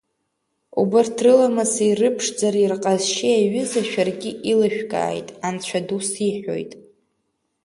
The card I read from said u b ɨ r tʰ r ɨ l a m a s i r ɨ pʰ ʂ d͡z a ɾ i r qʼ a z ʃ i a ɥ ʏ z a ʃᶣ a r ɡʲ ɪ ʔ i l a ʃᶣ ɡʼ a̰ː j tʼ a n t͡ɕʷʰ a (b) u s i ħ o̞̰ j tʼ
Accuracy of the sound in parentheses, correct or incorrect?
incorrect: d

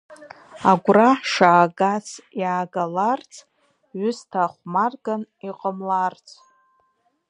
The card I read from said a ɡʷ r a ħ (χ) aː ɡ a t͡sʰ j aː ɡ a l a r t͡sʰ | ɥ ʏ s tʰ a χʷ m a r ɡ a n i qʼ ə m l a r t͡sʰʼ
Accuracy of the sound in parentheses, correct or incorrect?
incorrect: ʂ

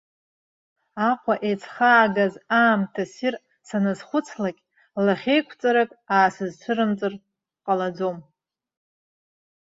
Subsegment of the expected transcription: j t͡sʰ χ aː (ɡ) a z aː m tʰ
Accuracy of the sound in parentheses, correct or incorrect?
correct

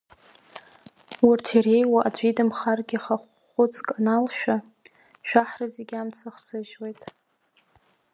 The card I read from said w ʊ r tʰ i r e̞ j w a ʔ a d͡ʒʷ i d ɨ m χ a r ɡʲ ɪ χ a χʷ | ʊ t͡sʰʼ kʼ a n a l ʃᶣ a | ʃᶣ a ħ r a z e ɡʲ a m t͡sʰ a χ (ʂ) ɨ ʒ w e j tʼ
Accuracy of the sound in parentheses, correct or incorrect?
incorrect: s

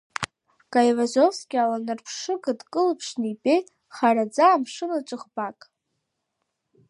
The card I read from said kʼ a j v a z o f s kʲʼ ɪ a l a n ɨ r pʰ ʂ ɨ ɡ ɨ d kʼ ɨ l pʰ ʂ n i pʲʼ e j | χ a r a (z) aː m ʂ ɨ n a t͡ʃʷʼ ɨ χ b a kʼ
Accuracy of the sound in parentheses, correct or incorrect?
incorrect: d͡z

